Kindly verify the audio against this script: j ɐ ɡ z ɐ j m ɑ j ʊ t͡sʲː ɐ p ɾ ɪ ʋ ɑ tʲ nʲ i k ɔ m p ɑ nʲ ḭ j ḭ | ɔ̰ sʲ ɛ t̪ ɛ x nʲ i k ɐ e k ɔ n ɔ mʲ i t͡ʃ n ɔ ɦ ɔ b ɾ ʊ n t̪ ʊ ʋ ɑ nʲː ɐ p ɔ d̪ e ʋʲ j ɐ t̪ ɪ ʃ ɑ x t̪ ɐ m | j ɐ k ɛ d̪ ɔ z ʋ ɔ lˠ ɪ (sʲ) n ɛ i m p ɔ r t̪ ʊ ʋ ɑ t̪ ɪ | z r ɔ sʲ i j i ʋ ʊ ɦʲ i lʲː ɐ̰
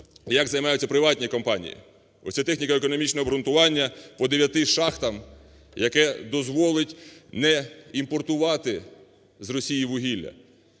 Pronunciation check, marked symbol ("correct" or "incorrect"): incorrect